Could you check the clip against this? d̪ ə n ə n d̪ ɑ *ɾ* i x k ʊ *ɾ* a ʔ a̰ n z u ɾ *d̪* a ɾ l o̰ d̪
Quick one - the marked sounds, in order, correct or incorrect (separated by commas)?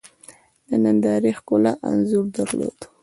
correct, incorrect, correct